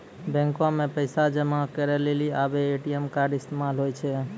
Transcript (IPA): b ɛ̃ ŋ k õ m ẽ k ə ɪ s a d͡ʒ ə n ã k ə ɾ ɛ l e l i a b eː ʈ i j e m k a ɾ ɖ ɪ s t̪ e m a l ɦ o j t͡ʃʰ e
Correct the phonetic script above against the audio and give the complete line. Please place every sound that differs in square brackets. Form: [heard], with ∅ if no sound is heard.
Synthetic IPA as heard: b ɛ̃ ŋ k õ m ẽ [p] ə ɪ s a d͡ʒ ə [m] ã k ə ɾ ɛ l e l i a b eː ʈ i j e m k a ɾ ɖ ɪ s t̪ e m a l ɦ o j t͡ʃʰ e